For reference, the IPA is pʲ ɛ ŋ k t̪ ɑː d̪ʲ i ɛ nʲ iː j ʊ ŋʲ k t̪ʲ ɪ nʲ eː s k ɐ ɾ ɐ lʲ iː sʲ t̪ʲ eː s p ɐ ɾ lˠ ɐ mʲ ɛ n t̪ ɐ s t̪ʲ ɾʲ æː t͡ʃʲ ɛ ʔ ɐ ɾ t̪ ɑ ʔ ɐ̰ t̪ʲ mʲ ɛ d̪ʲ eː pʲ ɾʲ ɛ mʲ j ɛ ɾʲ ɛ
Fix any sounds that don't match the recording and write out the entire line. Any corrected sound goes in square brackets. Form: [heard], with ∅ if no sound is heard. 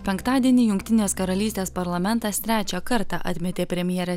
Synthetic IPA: pʲ ɛ ŋ k t̪ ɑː d̪ʲ i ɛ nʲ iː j ʊ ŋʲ k t̪ʲ ɪ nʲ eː s k ɐ ɾ ɐ lʲ iː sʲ t̪ʲ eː s p ɐ ɾ lˠ ɐ mʲ ɛ n t̪ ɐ s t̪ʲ ɾʲ æː t͡ʃʲ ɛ [k] ɐ ɾ t̪ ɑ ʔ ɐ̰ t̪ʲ mʲ ɛ [t̪ʲ] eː pʲ ɾʲ ɛ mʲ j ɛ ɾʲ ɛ